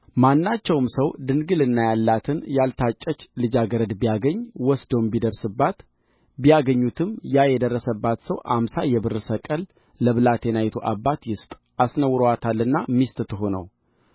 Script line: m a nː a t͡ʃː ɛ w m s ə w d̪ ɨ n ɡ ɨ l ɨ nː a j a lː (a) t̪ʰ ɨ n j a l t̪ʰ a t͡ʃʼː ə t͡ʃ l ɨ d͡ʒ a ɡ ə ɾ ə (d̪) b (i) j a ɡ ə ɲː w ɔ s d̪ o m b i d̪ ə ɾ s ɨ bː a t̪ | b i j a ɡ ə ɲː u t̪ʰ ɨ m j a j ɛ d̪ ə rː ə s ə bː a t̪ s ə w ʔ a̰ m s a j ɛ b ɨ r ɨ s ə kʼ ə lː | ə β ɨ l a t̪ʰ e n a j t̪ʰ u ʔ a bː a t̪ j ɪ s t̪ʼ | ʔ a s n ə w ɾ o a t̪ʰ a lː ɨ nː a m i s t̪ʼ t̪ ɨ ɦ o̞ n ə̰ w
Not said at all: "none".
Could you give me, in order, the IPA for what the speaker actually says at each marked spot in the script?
a, d̪, i

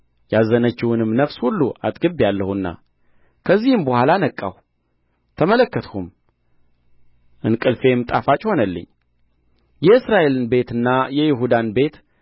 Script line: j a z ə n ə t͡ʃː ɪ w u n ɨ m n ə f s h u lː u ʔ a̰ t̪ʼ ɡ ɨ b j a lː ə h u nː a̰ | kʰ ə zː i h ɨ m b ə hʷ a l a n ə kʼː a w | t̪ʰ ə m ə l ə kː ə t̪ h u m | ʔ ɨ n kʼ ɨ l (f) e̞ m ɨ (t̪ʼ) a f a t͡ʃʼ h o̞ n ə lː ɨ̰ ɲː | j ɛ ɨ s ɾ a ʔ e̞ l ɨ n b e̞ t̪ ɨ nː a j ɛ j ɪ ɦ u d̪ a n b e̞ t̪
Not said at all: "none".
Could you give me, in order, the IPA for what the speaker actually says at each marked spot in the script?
f, t̪ʼ

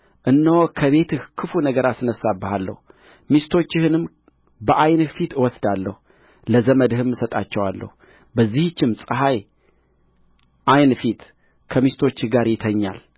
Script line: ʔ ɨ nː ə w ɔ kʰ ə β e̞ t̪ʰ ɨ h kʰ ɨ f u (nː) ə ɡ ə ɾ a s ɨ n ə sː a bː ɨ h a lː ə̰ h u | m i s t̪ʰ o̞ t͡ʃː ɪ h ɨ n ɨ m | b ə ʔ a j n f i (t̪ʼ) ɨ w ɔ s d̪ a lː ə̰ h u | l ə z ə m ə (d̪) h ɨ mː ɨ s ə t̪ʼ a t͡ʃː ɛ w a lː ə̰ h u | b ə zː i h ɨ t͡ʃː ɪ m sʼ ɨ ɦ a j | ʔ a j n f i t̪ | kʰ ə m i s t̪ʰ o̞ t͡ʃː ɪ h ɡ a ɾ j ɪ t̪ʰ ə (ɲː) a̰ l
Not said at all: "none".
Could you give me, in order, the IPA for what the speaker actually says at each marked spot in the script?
n, t̪, d̪, ɲː

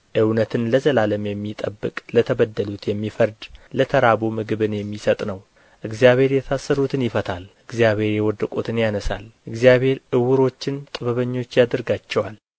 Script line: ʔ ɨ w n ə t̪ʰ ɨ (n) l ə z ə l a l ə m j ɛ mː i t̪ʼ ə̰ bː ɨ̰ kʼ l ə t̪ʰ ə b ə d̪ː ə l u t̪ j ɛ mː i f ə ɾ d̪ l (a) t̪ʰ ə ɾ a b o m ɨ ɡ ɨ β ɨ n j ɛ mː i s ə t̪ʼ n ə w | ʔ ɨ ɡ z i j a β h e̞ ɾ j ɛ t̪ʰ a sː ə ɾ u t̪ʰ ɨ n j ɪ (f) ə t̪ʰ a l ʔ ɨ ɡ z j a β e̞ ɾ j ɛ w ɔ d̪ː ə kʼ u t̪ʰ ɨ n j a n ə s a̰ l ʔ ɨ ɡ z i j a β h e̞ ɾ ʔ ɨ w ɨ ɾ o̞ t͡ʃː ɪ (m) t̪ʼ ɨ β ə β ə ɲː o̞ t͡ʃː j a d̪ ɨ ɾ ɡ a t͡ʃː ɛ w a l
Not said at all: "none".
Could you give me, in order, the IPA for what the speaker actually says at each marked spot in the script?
n, ə, f, n

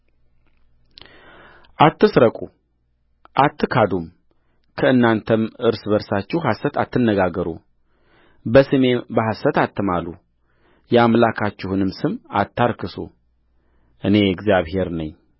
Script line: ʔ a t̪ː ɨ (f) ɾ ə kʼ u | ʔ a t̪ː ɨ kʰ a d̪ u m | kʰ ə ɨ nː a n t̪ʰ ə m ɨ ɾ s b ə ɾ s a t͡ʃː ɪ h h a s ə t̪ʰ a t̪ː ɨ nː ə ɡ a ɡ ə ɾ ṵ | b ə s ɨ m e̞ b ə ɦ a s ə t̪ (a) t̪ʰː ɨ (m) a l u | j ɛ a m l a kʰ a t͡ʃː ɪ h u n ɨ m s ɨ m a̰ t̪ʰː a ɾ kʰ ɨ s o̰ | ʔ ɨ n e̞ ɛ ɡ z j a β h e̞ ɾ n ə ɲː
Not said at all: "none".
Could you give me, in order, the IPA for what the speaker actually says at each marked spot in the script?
s, a, m

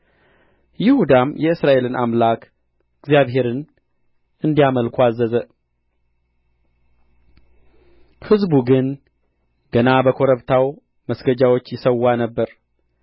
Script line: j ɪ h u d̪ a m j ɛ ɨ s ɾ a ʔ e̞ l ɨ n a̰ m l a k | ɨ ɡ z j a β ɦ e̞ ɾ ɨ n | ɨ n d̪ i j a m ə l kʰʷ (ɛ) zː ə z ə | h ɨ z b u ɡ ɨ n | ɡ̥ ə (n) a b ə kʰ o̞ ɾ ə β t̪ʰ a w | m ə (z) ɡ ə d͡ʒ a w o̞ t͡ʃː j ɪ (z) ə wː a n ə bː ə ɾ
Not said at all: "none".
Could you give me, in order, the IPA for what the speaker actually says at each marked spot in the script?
a, n, s, s

